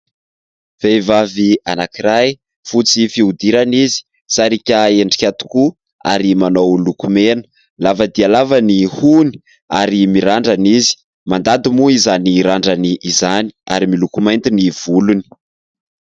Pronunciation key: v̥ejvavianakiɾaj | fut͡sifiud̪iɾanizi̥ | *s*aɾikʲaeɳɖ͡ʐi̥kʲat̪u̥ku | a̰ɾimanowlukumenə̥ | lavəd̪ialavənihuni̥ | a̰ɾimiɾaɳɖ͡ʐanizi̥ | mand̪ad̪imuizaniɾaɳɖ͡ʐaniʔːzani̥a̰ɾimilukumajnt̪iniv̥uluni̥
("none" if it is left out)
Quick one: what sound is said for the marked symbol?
s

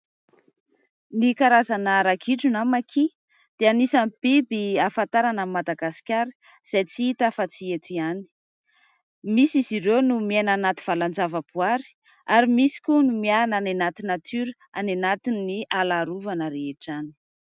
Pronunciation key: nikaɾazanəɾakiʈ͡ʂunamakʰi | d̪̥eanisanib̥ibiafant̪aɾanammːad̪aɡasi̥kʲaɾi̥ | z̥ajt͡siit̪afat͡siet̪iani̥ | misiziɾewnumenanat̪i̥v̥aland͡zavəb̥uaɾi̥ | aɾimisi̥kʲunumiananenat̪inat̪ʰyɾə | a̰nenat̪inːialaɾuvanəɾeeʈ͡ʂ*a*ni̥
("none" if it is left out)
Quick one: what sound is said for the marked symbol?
a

